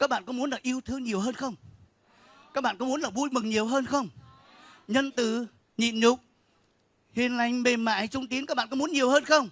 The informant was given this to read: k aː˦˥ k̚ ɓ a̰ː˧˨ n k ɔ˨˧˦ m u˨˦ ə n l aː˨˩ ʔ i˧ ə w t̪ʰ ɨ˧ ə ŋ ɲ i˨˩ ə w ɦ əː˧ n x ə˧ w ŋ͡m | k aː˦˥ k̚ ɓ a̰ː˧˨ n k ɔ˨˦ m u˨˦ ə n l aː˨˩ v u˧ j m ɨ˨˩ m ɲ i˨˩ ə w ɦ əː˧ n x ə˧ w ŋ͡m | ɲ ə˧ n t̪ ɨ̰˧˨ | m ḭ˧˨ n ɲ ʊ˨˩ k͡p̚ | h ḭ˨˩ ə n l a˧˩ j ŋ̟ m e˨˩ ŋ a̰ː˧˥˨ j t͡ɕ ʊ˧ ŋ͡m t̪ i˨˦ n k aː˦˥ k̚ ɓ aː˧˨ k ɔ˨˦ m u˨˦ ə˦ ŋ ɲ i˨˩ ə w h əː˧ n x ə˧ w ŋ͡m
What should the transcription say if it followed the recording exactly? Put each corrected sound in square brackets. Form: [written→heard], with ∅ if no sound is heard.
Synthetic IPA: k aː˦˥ k̚ ɓ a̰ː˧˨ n k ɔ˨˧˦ m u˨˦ ə n l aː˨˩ ʔ i˧ ə w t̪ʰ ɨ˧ ə ŋ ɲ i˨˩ ə w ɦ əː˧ n x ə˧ w ŋ͡m | k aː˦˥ k̚ ɓ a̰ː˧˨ n k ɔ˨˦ m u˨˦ ə n l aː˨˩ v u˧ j m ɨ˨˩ [m→ŋ] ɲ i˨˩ ə w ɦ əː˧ n x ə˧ w ŋ͡m | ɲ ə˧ n t̪ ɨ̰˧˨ | [m→ɲ] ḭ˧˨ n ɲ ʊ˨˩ k͡p̚ | h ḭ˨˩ ə n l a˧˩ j ŋ̟ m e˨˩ [ŋ→m] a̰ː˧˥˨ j t͡ɕ ʊ˧ ŋ͡m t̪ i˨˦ n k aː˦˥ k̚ ɓ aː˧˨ k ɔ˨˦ m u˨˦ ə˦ [ŋ→n] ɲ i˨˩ ə w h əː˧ n x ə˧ w ŋ͡m

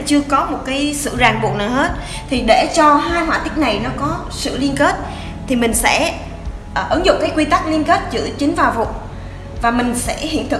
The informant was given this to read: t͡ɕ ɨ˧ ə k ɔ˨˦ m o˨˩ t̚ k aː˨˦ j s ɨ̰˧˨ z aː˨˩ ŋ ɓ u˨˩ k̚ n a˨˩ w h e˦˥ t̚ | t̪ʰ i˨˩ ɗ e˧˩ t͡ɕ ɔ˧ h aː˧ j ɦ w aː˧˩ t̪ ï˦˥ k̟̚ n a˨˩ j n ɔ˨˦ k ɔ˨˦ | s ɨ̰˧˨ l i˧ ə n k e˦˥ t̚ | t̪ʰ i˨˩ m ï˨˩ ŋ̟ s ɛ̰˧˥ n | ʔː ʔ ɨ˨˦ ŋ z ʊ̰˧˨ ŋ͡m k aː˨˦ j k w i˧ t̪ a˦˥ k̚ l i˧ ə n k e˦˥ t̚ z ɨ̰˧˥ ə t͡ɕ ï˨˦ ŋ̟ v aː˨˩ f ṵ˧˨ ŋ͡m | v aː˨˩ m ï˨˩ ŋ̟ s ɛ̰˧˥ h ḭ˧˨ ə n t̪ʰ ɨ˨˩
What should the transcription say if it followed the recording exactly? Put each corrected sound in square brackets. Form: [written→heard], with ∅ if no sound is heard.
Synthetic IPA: t͡ɕ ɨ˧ ə k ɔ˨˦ m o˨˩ t̚ k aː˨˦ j s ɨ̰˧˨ z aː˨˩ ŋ ɓ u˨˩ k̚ n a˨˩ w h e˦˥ t̚ | t̪ʰ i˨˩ ɗ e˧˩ t͡ɕ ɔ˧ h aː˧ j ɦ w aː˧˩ t̪ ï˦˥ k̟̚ n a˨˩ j n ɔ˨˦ k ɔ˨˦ | s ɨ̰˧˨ l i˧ ə n k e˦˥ t̚ | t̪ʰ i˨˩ m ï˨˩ ŋ̟ s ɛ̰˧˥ [n→∅] | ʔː ʔ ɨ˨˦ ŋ z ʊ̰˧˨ ŋ͡m k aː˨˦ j k w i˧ t̪ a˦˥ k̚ l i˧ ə n k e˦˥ t̚ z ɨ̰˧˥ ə t͡ɕ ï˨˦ ŋ̟ v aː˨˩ [f→v] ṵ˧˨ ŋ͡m | v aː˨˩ m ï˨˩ ŋ̟ s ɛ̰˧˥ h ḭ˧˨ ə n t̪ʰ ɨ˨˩

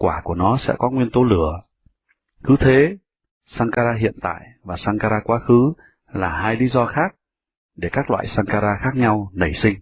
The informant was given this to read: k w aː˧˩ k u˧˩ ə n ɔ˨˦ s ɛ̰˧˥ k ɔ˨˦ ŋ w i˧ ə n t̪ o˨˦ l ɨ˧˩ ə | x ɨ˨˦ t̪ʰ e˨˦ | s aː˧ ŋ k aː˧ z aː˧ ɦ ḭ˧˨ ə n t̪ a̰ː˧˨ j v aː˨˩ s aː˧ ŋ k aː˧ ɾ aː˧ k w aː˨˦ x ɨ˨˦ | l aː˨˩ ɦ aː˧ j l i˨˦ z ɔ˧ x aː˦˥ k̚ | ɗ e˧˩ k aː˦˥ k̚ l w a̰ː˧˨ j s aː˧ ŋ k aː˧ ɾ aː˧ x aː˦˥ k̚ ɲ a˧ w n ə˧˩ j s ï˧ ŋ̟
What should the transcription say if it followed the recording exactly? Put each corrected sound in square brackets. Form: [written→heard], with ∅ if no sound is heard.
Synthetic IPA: k w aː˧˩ k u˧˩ ə n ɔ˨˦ s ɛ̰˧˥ k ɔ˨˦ ŋ w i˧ ə n t̪ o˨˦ l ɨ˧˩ ə | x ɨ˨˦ t̪ʰ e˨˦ | s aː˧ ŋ k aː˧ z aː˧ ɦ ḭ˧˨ ə n t̪ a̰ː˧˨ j v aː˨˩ s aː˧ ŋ k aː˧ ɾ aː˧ k w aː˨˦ x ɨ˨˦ | l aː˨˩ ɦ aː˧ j l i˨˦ z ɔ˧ x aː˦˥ k̚ | ɗ e˧˩ k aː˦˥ k̚ l w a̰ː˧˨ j s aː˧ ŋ k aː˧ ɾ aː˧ x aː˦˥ k̚ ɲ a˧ w n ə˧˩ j s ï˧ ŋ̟

